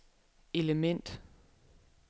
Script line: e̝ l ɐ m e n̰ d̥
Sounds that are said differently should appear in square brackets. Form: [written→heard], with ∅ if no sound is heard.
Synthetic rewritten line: e̝ l [ɐ→ə] m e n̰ d̥